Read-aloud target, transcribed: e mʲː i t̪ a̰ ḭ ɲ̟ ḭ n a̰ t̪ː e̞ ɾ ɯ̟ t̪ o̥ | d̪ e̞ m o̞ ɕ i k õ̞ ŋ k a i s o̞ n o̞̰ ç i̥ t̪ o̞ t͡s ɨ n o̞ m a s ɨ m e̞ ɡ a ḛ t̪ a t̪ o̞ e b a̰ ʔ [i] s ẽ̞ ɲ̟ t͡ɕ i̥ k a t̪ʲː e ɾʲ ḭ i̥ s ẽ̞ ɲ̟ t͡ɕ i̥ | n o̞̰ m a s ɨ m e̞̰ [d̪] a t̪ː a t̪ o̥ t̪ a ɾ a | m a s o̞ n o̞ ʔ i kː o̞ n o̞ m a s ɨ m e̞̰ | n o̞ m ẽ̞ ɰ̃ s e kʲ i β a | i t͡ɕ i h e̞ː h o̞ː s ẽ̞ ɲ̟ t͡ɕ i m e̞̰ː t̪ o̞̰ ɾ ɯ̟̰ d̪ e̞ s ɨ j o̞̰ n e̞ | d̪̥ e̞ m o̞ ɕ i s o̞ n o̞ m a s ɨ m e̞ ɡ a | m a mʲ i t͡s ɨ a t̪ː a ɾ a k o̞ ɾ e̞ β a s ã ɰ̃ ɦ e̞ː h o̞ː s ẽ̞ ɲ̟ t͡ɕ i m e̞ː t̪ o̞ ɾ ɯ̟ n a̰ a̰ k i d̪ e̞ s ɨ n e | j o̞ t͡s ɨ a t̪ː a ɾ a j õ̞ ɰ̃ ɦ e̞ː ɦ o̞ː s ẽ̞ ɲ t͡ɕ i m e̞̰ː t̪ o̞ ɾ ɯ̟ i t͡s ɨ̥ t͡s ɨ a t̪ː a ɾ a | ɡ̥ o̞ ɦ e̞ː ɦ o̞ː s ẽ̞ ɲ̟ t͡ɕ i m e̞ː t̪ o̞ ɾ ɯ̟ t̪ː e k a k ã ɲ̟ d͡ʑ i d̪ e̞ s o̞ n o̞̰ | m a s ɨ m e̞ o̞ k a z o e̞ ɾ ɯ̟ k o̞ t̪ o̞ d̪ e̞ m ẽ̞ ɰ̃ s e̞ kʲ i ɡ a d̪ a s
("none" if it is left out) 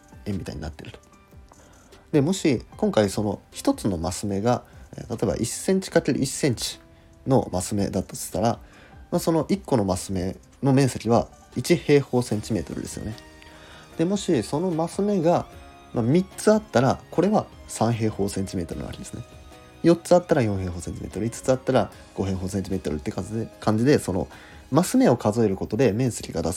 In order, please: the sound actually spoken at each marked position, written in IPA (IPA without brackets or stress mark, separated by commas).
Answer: i, d̪